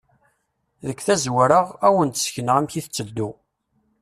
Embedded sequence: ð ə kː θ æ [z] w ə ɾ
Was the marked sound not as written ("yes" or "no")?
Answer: no